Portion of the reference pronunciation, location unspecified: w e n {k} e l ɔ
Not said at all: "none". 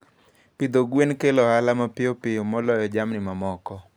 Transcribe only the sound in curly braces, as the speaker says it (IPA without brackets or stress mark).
k